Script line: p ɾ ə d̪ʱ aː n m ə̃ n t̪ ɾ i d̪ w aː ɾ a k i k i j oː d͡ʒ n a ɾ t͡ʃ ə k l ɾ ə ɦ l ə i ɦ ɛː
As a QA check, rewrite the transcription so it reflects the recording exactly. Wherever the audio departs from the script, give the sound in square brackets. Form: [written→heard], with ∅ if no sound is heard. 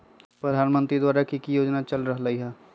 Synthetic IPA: p ɾ ə d̪ʱ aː n m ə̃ n t̪ ɾ i d̪ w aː ɾ a k i k i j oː d͡ʒ n a [ɾ→∅] t͡ʃ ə [k→∅] l ɾ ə ɦ l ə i ɦ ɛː